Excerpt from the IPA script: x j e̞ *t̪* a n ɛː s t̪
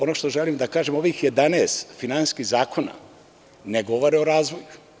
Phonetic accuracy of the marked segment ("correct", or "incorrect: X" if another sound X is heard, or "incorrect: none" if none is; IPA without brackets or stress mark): incorrect: d̪